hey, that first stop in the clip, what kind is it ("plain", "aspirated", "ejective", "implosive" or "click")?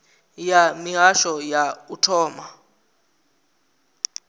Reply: aspirated